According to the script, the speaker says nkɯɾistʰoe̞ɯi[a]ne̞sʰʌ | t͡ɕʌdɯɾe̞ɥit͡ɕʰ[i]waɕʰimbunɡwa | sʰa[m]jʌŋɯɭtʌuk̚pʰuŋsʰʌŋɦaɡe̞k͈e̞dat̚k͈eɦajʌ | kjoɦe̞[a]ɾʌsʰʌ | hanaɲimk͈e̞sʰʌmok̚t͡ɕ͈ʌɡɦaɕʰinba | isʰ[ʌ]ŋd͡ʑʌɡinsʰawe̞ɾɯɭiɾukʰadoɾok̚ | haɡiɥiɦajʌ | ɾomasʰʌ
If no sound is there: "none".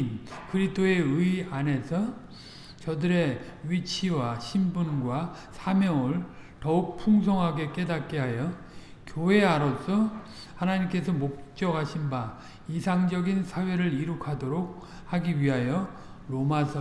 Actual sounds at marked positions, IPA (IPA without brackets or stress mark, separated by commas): a, i, m, a, a